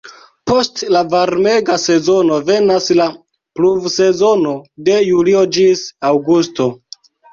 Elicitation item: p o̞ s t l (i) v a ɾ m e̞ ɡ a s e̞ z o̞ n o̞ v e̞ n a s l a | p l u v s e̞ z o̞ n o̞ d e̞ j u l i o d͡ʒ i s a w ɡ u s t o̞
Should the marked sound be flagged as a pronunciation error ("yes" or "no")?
yes